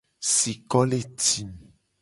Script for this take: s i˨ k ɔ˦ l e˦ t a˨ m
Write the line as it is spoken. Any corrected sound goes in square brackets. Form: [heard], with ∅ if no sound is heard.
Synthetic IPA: s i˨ k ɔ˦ l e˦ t [i˨] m